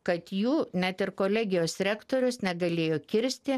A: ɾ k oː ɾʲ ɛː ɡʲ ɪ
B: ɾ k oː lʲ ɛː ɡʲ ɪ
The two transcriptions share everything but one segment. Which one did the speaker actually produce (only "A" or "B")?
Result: B